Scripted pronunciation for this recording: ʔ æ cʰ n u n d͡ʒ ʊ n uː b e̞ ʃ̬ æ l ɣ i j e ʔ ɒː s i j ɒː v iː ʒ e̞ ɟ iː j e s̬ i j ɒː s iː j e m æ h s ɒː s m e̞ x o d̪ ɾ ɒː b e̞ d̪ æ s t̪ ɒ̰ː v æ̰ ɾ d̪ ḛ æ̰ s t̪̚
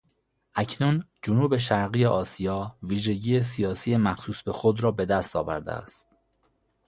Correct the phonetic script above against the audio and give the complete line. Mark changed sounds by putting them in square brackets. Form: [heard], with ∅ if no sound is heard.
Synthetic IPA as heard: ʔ æ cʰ n u n d͡ʒ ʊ n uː b e̞ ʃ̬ æ [ɾ] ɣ i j e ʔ ɒː s i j ɒː v iː ʒ e̞ ɟ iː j e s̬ i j ɒː s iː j e m æ [x] s [uː] s [b] e̞ x o d̪ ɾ ɒː b e̞ d̪ æ s t̪ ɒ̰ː v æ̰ ɾ d̪ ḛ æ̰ s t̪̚